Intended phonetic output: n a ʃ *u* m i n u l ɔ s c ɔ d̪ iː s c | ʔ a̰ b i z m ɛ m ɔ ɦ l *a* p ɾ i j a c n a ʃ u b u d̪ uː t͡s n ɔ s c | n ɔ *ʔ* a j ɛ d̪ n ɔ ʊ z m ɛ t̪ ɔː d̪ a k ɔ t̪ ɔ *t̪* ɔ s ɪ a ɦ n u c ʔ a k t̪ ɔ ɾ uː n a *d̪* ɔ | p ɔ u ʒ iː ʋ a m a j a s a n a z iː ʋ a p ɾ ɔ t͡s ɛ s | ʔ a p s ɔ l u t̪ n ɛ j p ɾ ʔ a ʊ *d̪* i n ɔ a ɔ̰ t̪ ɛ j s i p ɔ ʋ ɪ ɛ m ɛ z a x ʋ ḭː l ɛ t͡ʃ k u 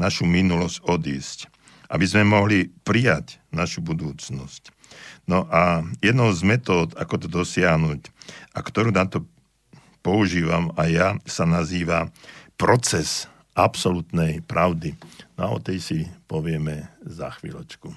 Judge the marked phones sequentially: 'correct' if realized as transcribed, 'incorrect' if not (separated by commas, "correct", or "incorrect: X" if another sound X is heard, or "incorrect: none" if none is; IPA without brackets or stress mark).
correct, incorrect: i, correct, incorrect: d̪, incorrect: t̪, correct